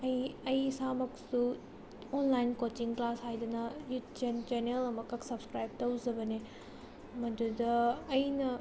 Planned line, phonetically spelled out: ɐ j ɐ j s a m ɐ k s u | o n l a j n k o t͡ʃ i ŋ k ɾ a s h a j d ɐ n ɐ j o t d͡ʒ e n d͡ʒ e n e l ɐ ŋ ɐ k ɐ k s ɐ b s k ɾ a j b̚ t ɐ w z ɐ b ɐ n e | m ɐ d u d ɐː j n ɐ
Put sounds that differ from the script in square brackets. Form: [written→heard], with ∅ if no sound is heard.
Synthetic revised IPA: ɐ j ɐ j s a m ɐ k s u | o n l a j n k o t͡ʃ i ŋ k [ɾ→l] a s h a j d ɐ n ɐ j [o→u] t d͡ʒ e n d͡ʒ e n e l ɐ [ŋ→m] ɐ k ɐ k s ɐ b s k ɾ a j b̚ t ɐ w z ɐ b ɐ n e | m ɐ d u d ɐː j n ɐ